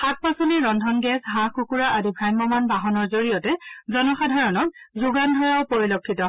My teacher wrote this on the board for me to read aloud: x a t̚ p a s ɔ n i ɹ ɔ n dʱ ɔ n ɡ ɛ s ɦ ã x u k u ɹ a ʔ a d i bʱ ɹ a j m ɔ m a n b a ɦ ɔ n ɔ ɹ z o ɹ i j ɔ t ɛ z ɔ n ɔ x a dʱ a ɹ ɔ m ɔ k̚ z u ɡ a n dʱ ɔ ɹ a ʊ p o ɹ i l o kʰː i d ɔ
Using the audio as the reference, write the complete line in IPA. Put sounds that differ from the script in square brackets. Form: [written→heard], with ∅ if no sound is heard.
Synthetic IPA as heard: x a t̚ p a s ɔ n i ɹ ɔ n dʱ ɔ n ɡ ɛ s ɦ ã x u k u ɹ a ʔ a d i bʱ ɹ a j m ɔ m a n b a ɦ ɔ n ɔ ɹ z o ɹ i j ɔ t ɛ z ɔ n ɔ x a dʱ a ɹ ɔ [m→n] ɔ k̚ z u ɡ a n dʱ ɔ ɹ a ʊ p o ɹ i l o kʰː i [d→t] ɔ